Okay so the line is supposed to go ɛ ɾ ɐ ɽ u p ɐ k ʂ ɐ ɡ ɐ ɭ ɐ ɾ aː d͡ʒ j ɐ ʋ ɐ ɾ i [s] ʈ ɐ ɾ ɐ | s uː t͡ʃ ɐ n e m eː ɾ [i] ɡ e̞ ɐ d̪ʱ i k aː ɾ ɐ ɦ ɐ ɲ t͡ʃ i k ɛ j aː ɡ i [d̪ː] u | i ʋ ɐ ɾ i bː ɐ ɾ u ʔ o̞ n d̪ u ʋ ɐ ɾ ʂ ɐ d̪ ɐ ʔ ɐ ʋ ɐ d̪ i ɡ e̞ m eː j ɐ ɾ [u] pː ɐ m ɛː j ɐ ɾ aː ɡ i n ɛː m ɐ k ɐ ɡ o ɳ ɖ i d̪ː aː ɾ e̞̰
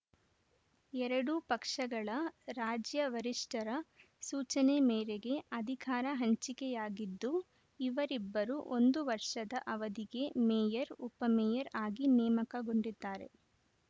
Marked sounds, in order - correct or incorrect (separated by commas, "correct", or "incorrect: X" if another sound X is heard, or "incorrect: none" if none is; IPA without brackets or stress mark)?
incorrect: ʂ, incorrect: e, correct, correct